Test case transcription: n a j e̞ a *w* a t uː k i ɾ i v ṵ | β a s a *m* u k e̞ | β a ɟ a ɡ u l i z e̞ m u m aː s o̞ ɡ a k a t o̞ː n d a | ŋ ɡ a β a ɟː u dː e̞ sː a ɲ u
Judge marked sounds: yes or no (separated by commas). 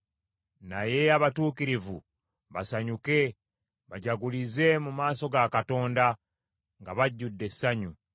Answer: no, no